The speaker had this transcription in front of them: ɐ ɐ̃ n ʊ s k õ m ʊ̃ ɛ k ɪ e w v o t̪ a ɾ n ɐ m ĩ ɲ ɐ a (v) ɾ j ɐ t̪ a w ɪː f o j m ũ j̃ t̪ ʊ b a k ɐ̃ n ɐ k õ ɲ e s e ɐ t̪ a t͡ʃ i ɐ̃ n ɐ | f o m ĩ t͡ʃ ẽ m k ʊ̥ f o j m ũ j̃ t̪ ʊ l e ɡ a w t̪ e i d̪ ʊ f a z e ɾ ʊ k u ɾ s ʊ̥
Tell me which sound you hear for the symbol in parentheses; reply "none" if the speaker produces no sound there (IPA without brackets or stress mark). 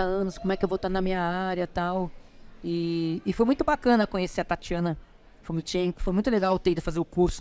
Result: none